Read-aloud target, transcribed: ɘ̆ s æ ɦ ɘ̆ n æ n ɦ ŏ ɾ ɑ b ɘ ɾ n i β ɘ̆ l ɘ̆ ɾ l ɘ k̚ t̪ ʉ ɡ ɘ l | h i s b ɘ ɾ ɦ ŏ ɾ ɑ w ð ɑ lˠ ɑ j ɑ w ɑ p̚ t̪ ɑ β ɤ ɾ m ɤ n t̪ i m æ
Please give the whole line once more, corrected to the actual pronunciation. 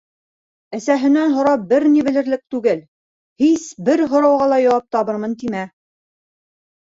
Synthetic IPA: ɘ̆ s æ ɦ ɘ̆ n æ n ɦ ŏ ɾ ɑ b ɘ ɾ n i β ɘ̆ l ɘ̆ ɾ l ɘ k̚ t̪ ʉ ɡ ɘ l | h i s b ɘ ɾ ɦ ŏ ɾ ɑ w ʁ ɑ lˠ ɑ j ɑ w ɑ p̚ t̪ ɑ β ɤ ɾ m ɤ n t̪ i m æ

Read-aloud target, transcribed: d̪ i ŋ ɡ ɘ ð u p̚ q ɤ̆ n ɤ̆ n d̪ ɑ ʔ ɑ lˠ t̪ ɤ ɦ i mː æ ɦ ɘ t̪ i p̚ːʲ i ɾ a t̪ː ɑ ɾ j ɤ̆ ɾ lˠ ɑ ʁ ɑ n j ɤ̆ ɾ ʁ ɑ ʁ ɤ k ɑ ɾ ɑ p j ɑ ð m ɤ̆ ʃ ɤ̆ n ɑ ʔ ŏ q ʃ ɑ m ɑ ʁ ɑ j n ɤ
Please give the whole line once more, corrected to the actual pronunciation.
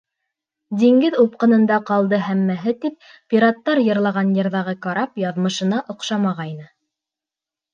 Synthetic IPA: d̪ i ŋ ɡ ɘ ð u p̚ q ɤ̆ n ɤ̆ n d̪ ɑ q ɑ lˠ d̪ ɤ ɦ æ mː æ ɦ ɘ t̪ i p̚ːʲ i ɾ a t̪ː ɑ ɾ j ɤ̆ ɾ lˠ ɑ ʁ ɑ n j ɤ̆ ɾ ð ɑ ʁ ɤ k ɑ ɾ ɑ p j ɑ ð m ɤ̆ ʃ ɤ̆ n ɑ ʔ ŏ q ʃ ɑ m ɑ ʁ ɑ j n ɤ

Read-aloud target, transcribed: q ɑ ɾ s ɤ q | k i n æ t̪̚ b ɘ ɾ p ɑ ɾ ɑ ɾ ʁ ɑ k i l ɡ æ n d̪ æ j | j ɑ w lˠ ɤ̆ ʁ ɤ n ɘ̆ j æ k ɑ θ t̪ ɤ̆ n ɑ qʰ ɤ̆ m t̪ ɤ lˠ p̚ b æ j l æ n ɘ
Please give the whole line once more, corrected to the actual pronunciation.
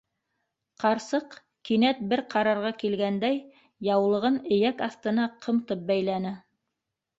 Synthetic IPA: q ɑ ɾ s ɤ q | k i n æ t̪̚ b ɘ ɾ q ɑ ɾ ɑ ɾ ʁ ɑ k i l ɡ æ n d̪ æ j | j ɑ w lˠ ɤ̆ ʁ ɤ n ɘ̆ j æ k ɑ θ t̪ ɤ̆ n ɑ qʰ ɤ̆ m t̪ ɤ p̚ b æ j l æ n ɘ

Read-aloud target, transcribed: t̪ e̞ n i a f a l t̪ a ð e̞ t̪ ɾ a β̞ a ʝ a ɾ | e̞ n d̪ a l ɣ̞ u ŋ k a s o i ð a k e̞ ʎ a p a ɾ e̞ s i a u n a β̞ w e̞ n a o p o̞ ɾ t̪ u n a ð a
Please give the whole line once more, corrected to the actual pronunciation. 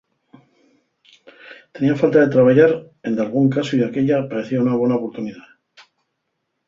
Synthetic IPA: t̪ e̞ n i a f a l t̪ a ð e̞ t̪ ɾ a β̞ a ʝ a ɾ | e̞ n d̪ a l ɣ̞ u ŋ k a s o i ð a k e̞ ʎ a p a ɾ e̞ θ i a u n a β̞ w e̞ n a o p o̞ ɾ t̪ u n i ð a

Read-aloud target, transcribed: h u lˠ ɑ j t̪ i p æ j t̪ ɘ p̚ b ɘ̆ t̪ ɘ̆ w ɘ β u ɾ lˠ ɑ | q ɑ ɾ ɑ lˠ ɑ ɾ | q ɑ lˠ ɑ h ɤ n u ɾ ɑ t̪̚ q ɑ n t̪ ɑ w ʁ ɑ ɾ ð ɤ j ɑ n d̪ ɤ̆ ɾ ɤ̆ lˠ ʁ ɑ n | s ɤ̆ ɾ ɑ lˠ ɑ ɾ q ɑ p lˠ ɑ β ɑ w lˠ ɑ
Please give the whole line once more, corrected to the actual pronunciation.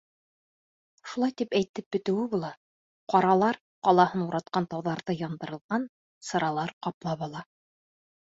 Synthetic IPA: ʃ u lˠ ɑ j t̪ i p æ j t̪ ɘ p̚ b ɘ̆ t̪ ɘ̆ w ɘ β u lˠ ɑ | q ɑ ɾ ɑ lˠ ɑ ɾ | q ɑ lˠ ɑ h ɤ n u ɾ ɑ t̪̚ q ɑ n t̪ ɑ w ð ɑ ɾ ð ɤ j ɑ n d̪ ɤ̆ ɾ ɤ̆ lˠ ʁ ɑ n | s ɤ̆ ɾ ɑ lˠ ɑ ɾ q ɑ p lˠ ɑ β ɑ lˠ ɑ

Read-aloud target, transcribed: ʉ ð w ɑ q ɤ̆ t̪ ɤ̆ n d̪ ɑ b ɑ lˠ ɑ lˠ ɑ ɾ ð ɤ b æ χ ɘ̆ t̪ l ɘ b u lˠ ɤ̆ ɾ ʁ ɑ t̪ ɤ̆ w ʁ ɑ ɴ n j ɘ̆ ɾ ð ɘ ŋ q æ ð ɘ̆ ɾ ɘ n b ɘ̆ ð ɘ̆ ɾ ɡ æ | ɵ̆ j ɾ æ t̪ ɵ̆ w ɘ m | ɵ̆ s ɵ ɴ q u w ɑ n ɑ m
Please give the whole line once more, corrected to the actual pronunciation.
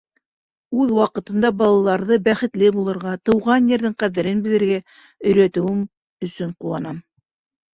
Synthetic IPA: ʉ ð w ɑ q ɤ̆ t̪ ɤ̆ n d̪ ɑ b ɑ lˠ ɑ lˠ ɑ ɾ ð ɤ b æ χ ɘ̆ t̪ l ɘ b u lˠ ɤ̆ ɾ ʁ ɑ t̪ ɤ̆ w ʁ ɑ n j ɘ̆ ɾ ð ɘ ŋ q æ ð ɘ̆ ɾ ɘ n b ɘ̆ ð ɘ̆ ɾ ɡ æ | ɵ̆ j ɾ æ t̪ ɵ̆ w ɘ m | ɵ̆ s ɵ ɴ q u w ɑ n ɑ m

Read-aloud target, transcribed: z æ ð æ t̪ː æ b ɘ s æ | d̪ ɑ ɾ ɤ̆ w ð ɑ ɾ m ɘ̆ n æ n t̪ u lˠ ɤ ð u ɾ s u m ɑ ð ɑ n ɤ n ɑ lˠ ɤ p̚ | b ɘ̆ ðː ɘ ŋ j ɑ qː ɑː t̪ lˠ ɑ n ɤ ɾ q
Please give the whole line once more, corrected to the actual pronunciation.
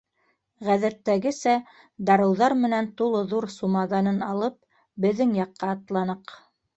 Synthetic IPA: ʁ æ ð æ t̪ː æ ɡ ɘ s æ | d̪ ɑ ɾ ɤ̆ w ð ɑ ɾ m ɘ̆ n æ n t̪ u lˠ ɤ ð u ɾ s u m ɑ ð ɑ n ɤ n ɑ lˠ ɤ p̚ | b ɘ̆ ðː ɘ ŋ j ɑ qː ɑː t̪ lˠ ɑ n ɤ q

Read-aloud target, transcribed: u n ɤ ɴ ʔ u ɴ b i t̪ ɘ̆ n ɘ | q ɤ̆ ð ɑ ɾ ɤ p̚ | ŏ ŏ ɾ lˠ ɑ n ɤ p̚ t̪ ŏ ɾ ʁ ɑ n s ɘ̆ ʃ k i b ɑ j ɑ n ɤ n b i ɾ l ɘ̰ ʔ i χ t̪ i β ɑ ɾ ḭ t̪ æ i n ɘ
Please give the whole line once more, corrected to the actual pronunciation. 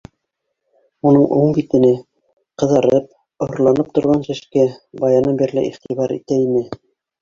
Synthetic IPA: u n ɤ ɴ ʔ u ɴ b i t̪ ɘ̆ n ɘ | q ɤ̆ ð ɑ ɾ ɤ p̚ | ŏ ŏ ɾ lˠ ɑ n ɤ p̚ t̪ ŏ ɾ ʁ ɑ n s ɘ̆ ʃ k æ b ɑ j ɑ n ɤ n b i ɾ l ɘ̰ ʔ i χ t̪ i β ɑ ɾ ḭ t̪ æ i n ɘ

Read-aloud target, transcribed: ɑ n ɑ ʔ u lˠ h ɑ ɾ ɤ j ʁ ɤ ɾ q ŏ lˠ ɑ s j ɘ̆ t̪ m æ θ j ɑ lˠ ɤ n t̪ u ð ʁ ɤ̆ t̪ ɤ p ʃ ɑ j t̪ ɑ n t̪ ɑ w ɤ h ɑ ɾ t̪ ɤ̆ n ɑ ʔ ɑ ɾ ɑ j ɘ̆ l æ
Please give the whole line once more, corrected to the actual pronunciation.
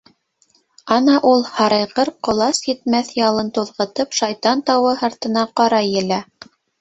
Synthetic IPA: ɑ n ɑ ʔ u lˠ h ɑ ɾ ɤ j ʁ ɤ ɾ q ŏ lˠ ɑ s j ɘ̆ t̪ m æ θ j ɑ lˠ ɤ n t̪ u ð ʁ ɤ̆ t̪ ɤ p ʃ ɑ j t̪ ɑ n t̪ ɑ w ɤ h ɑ ɾ t̪ ɤ̆ n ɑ q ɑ ɾ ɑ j ɘ̆ l æ

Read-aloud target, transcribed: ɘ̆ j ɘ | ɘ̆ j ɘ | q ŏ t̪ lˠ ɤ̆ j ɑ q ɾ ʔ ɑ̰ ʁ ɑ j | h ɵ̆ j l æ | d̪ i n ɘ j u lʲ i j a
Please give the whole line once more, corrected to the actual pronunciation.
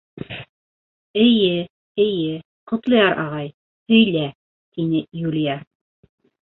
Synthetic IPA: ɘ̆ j ɘ | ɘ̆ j ɘ | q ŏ t̪ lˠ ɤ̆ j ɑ ɾ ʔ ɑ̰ ʁ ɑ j | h ɵ̆ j l æ | t̪ i n ɘ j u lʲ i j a

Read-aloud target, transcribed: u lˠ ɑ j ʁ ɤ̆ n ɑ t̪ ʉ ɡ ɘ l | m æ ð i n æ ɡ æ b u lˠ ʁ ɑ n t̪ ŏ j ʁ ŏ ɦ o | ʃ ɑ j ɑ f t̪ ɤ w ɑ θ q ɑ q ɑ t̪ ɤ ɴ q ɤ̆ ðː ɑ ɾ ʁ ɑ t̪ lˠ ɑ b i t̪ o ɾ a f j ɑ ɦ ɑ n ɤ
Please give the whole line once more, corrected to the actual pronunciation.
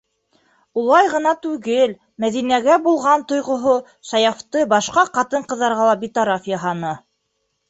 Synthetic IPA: u lˠ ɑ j ʁ ɤ̆ n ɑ t̪ ʉ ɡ ɘ l | m æ ð i n æ ɡ æ b u lˠ ʁ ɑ n t̪ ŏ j ʁ ŏ ɦ o | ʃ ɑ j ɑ f t̪ ɤ b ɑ ʃ q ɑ q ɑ t̪ ɤ ɴ q ɤ̆ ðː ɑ ɾ ʁ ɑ lˠ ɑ b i t̪ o ɾ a f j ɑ ɦ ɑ n ɤ

